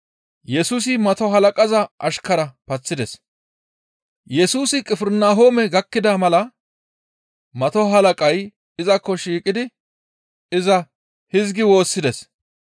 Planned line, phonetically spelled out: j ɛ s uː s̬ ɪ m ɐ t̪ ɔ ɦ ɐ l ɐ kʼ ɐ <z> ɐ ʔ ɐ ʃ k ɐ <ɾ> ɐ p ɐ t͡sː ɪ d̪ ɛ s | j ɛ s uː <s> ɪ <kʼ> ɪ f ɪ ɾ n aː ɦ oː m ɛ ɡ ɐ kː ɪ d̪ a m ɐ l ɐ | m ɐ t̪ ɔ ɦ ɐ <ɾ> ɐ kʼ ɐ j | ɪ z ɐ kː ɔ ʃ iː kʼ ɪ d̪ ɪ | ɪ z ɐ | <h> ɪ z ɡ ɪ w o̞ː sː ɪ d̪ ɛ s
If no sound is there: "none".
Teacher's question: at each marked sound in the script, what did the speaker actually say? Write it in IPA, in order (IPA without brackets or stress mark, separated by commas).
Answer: z, ɾ, s, kʼ, l, h